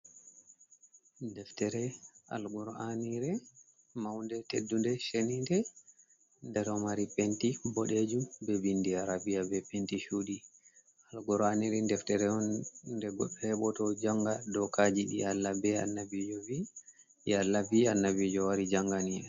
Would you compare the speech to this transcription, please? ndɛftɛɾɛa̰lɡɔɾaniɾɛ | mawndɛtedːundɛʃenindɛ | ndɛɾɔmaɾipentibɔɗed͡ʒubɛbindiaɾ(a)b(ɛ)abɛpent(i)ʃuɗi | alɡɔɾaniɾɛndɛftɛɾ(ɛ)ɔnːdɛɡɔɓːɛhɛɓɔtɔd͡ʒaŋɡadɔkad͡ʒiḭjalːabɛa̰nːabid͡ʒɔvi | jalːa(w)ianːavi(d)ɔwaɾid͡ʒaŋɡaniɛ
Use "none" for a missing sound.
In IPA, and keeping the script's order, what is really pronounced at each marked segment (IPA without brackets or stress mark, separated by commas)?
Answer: a, i, i, ɛ, v, d͡ʒ